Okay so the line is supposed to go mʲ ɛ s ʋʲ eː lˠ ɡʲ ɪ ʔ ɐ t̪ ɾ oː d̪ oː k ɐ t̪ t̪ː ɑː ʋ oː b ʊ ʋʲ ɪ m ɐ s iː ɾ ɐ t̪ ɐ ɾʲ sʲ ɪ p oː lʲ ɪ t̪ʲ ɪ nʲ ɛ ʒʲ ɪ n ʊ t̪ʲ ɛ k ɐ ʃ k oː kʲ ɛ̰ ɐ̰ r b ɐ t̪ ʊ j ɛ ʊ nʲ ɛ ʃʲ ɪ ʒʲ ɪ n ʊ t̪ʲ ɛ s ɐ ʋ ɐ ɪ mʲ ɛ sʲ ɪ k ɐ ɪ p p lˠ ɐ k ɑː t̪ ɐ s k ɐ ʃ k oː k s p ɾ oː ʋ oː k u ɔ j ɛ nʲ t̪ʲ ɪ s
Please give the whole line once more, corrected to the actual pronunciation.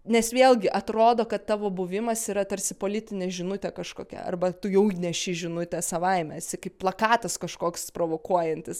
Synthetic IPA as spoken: nʲ ɛ s ʋʲ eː lˠ ɡʲ ɪ ʔ ɐ t̪ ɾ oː d̪ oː k ɐ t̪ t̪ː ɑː ʋ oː b ʊ ʋʲ ɪ m ɐ s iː ɾ ɐ t̪ ɐ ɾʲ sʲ ɪ p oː lʲ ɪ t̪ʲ ɪ nʲ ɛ ʒʲ ɪ n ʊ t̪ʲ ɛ k ɐ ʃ k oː kʲ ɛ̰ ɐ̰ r b ɐ t̪ ʊ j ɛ ʊ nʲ ɛ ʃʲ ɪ ʒʲ ɪ n ʊ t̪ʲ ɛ s ɐ ʋ ɐ ɪ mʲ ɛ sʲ ɪ k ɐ ɪ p p lˠ ɐ k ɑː t̪ ɐ s k ɐ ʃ k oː k s p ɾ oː ʋ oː k u ɔ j ɛ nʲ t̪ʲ ɪ s